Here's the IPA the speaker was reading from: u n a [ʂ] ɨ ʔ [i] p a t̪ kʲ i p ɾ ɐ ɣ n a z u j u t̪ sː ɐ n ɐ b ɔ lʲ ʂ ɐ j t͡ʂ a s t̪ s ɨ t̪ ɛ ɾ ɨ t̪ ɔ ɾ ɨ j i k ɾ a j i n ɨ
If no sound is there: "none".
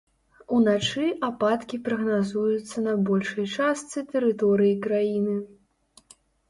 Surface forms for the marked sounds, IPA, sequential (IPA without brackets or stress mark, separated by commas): t͡ʂ, a